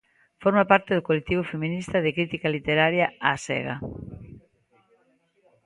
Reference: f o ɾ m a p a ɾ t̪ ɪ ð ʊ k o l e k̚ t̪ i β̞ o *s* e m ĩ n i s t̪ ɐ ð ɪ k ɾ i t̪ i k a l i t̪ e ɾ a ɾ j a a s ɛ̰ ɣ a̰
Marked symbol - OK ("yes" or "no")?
no